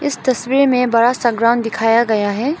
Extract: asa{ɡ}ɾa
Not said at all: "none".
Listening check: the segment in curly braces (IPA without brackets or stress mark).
ɡ